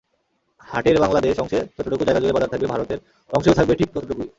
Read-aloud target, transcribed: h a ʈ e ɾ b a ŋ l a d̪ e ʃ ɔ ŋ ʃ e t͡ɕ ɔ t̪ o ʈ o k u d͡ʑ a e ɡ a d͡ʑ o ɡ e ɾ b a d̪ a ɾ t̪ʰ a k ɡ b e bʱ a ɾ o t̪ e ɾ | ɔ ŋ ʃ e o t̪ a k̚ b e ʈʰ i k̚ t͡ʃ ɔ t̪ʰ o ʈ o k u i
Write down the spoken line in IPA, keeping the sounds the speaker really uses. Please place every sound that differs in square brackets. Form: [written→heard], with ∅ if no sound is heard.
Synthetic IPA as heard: h a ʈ e ɾ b a ŋ l a d̪ e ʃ ɔ ŋ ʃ e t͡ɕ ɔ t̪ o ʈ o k u d͡ʑ a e ɡ a d͡ʑ o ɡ e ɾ b a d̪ a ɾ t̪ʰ a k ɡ b e bʱ a ɾ o t̪ e ɾ | ɔ ŋ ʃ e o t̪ a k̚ b e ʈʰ i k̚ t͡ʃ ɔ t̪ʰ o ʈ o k u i